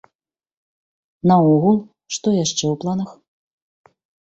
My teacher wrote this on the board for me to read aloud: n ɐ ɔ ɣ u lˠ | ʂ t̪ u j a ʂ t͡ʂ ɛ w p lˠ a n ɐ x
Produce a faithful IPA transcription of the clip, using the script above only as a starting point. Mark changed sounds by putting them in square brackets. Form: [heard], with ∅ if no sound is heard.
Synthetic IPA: n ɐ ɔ ɣ u lˠ | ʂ t̪ [ɔ] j a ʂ t͡ʂ ɛ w p lˠ a n ɐ x